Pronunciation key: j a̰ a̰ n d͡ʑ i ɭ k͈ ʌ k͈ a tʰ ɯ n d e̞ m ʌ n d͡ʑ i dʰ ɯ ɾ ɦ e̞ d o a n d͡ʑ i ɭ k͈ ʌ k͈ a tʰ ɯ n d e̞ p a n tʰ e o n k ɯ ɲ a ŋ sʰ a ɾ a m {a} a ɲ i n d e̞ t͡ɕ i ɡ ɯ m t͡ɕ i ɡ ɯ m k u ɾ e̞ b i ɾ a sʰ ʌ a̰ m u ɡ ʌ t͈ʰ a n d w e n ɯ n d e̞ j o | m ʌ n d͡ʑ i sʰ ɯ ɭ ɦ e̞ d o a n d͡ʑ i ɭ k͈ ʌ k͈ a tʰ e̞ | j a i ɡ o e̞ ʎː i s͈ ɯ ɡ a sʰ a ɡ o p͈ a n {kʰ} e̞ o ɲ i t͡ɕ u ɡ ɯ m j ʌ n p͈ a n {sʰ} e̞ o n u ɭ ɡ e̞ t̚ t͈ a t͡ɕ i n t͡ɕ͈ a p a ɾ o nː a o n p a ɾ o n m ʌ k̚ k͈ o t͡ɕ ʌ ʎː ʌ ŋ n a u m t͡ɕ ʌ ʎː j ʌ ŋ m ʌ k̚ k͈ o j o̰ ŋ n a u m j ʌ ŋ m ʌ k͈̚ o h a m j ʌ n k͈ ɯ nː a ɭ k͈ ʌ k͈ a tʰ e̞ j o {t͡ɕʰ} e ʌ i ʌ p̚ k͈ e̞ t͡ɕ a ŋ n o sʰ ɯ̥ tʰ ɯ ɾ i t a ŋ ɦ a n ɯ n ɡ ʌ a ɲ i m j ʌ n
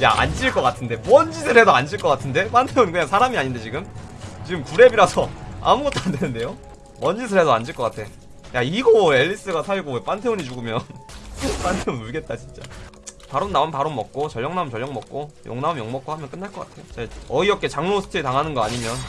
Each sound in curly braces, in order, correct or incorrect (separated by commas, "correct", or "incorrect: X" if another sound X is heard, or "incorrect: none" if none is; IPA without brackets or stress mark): incorrect: i, incorrect: tʰ, incorrect: tʰ, incorrect: t͡ɕ